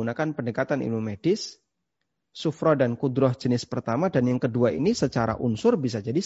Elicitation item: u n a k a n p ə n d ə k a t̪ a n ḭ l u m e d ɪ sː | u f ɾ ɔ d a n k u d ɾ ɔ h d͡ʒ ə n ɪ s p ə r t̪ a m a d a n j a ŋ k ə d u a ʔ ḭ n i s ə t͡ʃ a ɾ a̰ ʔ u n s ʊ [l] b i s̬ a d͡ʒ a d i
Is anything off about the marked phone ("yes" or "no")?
yes